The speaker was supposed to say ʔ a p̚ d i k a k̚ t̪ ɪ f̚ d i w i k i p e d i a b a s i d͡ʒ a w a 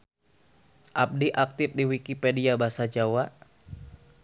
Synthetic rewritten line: ʔ a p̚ d i ʔ a k̚ t̪ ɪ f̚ d i w i k i p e d i a b a s a d͡ʒ a w a